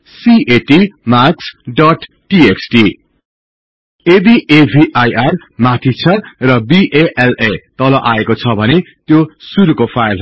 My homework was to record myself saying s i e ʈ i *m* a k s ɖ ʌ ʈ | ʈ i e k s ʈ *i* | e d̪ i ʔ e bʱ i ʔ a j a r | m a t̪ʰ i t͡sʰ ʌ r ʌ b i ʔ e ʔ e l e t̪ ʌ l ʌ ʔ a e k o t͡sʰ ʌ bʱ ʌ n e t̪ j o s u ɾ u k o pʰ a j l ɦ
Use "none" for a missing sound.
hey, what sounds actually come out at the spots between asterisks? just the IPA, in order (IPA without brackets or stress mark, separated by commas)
m, i